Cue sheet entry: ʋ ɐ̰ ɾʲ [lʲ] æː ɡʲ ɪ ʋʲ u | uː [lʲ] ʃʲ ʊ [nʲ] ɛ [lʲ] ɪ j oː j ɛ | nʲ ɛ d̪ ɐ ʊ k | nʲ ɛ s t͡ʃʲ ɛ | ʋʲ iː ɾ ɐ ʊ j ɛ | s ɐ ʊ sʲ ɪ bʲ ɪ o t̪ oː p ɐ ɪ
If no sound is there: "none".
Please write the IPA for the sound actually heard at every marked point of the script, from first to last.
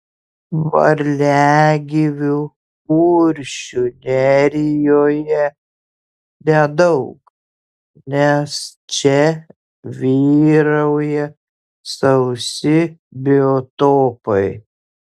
lʲ, ɾʲ, nʲ, ɾʲ

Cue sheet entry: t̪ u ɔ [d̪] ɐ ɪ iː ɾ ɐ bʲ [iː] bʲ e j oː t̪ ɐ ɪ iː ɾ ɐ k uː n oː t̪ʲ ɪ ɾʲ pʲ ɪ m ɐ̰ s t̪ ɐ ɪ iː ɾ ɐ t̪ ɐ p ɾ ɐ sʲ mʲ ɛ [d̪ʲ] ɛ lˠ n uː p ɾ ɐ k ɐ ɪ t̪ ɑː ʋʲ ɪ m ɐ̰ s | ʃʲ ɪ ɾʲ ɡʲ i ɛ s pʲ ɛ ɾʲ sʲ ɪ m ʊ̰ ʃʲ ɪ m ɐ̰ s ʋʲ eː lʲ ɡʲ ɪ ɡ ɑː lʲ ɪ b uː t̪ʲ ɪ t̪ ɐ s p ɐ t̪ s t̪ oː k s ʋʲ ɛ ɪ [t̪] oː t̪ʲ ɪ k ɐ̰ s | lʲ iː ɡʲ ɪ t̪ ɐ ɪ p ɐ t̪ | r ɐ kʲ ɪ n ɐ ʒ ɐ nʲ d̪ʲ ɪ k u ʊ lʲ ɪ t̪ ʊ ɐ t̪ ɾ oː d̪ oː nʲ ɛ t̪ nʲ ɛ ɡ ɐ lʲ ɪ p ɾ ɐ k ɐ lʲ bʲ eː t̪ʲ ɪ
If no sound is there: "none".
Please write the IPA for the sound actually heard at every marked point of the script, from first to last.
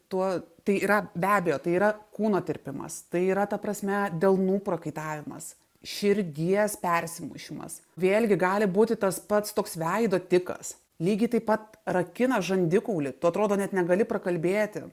t̪, æː, d̪ʲ, d̪

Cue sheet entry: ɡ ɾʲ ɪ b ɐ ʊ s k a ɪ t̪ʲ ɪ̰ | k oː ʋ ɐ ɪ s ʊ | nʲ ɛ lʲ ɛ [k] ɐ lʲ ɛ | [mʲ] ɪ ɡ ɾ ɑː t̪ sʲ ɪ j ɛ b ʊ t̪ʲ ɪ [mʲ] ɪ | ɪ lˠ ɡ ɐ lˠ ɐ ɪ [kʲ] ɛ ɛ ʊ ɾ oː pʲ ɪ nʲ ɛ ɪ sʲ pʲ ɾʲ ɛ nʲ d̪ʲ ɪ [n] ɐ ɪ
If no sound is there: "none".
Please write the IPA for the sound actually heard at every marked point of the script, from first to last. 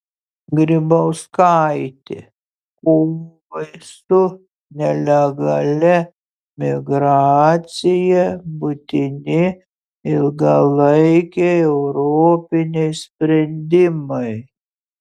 ɡ, mʲ, nʲ, kʲ, m

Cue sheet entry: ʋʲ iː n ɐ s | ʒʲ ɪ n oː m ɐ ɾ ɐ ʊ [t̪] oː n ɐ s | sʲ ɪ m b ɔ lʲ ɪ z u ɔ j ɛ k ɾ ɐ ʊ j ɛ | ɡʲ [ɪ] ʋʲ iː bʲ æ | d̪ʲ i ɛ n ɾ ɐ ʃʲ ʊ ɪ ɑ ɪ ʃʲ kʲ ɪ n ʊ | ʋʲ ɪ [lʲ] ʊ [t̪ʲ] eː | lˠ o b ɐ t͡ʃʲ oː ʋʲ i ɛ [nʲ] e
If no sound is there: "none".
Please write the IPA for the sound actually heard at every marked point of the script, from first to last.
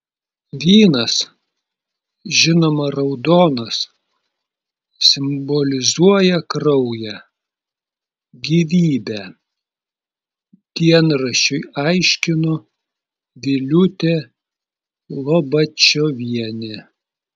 d̪, i, lʲ, t̪ʲ, nʲ

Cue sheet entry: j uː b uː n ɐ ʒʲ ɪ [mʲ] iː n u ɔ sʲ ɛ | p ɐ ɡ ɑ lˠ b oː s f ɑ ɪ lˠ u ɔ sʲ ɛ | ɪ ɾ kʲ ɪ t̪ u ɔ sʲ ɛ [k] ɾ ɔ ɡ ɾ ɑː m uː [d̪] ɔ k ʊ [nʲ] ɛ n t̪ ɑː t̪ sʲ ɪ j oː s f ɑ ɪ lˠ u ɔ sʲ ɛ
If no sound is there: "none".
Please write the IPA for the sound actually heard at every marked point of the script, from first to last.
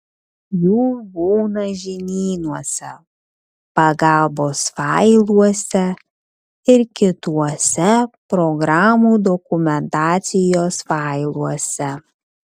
nʲ, p, d̪, mʲ

